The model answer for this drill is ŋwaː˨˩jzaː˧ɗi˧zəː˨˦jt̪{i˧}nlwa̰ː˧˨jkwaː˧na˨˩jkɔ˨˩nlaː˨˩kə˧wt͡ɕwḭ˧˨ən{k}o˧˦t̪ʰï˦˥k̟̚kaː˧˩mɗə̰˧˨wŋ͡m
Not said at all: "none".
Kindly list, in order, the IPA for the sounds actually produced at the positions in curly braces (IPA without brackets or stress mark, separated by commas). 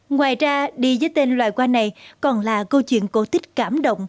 e˧, k